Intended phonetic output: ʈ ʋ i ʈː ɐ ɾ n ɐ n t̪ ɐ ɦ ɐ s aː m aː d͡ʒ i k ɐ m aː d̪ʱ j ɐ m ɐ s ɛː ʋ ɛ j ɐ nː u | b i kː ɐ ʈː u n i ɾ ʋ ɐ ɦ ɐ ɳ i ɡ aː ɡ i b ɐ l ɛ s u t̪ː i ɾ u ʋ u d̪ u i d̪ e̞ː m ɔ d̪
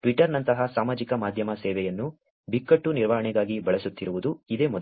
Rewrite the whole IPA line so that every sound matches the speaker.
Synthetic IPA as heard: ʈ ʋ i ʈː ɐ ɾ n ɐ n t̪ ɐ ɦ ɐ s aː m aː d͡ʒ i k ɐ m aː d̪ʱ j ɐ m ɐ s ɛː ʋ ɛ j ɐ nː u | b i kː ɐ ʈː u n i ɾ ʋ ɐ ɦ ɐ ɳ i ɡ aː ɡ i b ɐ ɭ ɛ s u t̪ː i ɾ u ʋ u d̪ u i d̪ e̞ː m ɔ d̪